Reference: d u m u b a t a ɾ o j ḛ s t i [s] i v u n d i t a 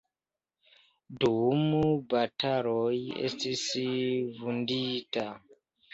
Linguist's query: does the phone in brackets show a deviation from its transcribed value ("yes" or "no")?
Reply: no